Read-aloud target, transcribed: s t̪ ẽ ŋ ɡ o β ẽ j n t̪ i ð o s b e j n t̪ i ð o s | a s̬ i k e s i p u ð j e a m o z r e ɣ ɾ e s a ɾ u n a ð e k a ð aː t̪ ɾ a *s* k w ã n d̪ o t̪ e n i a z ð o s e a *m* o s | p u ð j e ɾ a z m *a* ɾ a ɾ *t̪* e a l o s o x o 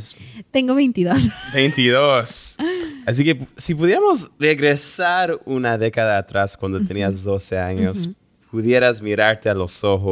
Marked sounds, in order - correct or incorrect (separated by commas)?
correct, incorrect, incorrect, correct